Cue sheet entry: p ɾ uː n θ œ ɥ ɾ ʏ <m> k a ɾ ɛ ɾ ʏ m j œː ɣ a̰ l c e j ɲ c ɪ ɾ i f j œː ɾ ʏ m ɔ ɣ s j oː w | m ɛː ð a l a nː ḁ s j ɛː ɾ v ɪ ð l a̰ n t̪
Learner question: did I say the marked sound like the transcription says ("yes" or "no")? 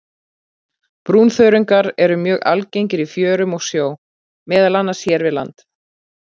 no